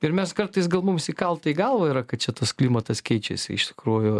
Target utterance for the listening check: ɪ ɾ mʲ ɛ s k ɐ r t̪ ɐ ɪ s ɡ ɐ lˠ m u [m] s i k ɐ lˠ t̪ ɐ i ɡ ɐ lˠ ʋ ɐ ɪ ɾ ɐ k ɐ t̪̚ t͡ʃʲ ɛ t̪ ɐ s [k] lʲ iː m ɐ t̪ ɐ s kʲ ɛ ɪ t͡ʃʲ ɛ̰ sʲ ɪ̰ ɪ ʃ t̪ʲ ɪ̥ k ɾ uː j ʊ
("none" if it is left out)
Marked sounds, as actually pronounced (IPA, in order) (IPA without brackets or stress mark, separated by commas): m, k